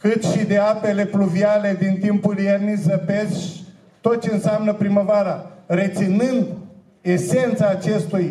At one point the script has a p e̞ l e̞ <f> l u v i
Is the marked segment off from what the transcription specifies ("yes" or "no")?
no